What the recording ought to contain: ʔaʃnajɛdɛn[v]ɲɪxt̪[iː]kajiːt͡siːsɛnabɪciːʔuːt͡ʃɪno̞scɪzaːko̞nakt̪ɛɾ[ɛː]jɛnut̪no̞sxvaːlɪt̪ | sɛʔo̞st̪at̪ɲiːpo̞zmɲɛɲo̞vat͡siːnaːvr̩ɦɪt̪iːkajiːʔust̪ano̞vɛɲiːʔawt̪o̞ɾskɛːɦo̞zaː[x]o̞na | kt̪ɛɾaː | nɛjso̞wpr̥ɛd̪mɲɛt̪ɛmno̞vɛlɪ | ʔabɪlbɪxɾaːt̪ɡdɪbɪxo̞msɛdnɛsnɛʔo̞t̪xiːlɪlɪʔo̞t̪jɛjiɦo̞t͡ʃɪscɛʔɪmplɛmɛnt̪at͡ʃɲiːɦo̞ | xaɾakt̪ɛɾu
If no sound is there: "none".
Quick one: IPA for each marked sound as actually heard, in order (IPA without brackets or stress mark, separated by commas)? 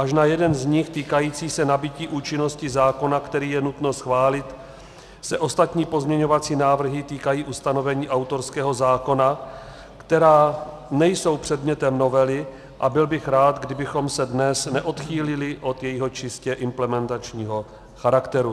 z, iː, iː, k